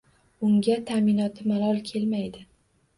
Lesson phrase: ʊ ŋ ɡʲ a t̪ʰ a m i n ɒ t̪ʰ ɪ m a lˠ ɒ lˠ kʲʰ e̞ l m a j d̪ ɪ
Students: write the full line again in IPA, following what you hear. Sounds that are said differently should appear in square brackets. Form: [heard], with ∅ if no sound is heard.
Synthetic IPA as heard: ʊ ŋ ɡʲ a t̪ʰ a m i n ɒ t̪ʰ ɪ m a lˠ ɒ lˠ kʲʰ e̞ l m a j d̪ ɪ